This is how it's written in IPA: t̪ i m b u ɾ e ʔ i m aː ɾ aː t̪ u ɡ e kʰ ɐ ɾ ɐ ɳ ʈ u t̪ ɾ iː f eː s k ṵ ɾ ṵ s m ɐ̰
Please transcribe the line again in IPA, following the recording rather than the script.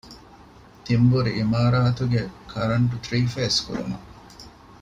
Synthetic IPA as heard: t̪ i m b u ɾ i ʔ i m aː ɾ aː t̪ u ɡ e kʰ ɐ ɾ ɐ ɳ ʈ u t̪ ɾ iː f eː s k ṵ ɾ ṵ m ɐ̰